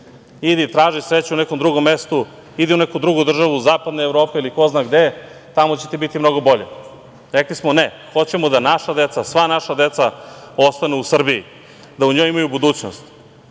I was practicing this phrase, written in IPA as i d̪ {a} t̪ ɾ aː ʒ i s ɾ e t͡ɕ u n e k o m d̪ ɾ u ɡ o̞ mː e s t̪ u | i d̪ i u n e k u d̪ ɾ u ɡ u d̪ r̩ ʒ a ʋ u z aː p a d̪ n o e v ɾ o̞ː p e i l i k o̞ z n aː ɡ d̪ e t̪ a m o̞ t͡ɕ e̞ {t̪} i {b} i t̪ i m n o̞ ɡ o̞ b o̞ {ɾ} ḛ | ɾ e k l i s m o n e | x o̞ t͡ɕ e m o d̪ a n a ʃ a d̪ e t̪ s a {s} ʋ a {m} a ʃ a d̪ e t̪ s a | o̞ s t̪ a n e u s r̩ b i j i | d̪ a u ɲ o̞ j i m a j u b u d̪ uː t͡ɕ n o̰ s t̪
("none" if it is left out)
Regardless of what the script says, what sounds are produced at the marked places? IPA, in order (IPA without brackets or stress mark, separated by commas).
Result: i, t̪, b, ʎ, s, n